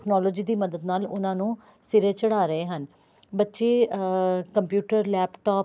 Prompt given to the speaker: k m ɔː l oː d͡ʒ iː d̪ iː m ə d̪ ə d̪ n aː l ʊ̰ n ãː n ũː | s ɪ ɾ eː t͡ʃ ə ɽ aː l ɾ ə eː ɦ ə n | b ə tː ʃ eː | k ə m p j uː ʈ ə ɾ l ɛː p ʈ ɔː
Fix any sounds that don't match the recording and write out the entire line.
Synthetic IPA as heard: k n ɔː l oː d͡ʒ iː d̪ iː m ə d̪ ə d̪ n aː l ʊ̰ n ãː n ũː | s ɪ ɾ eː t͡ʃ ə ɽ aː ɾ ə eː ɦ ə n | b ə tː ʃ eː | k ə m p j uː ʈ ə ɾ l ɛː p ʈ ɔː